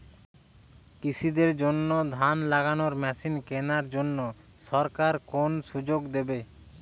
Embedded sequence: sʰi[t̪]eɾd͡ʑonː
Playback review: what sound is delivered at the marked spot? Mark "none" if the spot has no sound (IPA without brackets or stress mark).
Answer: d̪